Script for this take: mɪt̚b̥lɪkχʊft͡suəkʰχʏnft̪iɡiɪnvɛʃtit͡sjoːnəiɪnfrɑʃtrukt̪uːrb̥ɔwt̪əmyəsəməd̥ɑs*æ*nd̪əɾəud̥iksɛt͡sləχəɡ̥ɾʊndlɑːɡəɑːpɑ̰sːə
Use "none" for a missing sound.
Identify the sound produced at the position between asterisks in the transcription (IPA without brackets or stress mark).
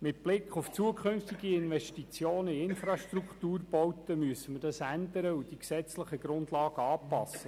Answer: æ